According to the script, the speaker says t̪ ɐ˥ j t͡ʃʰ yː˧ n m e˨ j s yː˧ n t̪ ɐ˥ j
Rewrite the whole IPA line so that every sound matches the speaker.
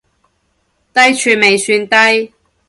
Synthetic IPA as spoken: t̪ ɐ˥ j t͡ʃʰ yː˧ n m e˨ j s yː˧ n t̪ ɐ˥ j